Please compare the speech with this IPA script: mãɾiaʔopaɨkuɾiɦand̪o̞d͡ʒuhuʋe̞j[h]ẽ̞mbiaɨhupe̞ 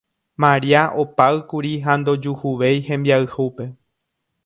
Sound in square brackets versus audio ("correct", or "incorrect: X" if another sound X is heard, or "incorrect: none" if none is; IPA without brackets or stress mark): correct